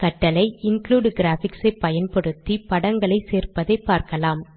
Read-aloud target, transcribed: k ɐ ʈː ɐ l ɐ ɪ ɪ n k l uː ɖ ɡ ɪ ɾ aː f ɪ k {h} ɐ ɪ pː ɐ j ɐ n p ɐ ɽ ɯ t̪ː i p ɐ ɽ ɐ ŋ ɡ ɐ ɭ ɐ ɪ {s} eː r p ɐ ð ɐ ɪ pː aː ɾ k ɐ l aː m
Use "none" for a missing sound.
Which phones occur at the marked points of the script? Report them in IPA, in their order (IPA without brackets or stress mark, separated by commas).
s, s